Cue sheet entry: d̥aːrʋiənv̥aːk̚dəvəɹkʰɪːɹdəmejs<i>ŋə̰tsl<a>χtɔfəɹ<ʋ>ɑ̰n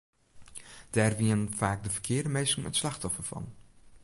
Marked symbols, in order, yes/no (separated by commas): no, no, no